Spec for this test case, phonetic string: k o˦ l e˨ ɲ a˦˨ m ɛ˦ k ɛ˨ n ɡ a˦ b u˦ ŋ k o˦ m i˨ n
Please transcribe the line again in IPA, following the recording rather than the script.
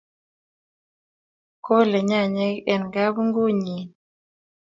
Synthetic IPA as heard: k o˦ l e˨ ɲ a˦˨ ɲ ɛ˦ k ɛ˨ n ɡ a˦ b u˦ ŋ ɡ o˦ ɲ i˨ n